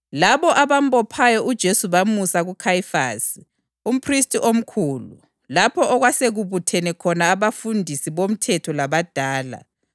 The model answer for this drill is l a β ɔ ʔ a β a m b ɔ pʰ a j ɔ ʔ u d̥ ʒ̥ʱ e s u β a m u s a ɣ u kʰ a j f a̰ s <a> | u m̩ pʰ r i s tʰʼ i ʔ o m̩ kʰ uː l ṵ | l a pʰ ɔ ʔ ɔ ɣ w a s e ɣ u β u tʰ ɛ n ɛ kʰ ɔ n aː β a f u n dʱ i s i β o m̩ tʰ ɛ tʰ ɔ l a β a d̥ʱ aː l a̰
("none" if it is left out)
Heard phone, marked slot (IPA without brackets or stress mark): i